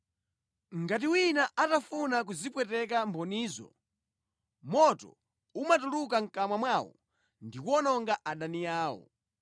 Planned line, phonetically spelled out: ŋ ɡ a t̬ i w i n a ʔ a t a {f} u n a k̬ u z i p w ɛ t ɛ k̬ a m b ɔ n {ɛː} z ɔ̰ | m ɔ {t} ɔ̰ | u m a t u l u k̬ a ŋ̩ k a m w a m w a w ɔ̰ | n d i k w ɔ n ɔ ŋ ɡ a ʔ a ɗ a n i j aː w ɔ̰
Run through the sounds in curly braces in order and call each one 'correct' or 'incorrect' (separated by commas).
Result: correct, incorrect, correct